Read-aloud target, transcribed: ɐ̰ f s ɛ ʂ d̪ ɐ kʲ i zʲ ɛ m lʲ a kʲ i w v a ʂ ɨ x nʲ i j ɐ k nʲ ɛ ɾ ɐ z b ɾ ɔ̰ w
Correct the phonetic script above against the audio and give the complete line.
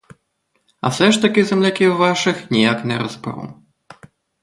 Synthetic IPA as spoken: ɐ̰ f s ɛ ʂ t̪ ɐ kʲ i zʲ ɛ m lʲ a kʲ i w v a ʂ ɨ x nʲ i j a k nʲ ɛ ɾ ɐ z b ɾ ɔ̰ w